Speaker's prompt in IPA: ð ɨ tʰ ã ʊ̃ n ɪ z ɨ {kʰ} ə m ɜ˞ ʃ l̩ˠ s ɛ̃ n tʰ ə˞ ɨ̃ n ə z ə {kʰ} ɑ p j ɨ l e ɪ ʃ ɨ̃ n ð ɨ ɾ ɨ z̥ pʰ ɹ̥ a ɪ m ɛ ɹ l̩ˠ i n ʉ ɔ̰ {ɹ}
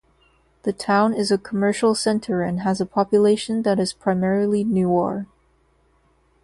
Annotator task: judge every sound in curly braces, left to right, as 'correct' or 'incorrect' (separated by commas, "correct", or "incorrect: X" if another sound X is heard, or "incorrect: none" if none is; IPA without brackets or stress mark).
correct, incorrect: pʰ, correct